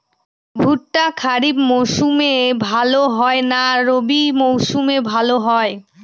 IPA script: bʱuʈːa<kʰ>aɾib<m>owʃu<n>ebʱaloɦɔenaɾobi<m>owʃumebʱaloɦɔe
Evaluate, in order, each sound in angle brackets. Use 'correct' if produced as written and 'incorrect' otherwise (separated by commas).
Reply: correct, correct, incorrect, correct